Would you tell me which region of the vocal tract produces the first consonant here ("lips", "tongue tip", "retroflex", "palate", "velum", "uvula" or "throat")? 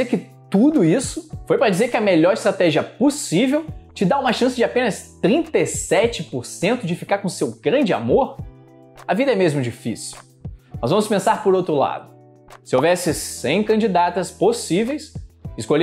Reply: velum